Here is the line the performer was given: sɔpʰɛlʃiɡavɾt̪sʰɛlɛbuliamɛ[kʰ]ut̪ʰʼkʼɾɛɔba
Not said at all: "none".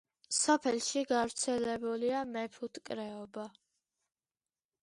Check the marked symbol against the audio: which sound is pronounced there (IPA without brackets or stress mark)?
pʰ